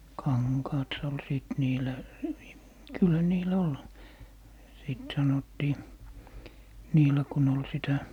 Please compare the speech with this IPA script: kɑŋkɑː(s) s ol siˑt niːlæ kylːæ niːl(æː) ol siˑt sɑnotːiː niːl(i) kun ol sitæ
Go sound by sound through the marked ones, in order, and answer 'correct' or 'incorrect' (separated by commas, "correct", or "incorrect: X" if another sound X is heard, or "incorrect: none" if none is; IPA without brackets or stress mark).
incorrect: t, incorrect: æ, incorrect: æ